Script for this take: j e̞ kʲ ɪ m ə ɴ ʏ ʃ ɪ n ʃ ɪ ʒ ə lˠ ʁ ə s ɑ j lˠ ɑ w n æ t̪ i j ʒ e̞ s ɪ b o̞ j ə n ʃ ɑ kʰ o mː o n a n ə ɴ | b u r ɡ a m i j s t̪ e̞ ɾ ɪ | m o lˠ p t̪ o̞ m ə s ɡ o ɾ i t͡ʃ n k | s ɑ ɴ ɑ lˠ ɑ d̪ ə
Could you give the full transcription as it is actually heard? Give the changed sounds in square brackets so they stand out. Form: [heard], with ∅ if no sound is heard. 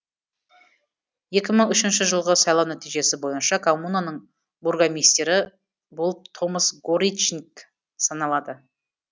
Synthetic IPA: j e̞ kʲ ɪ m ə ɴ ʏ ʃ ɪ n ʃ ɪ ʒ ə lˠ ʁ ə s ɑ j lˠ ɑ w n æ t̪ i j ʒ e̞ s ɪ b o̞ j ə n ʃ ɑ kʰ o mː [u] n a n ə ɴ | b u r ɡ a m i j s t̪ e̞ ɾ ɪ | [b] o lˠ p [t̪ʰ] o̞ m ə s ɡ o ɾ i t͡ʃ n k | s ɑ [n] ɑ lˠ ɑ d̪ ə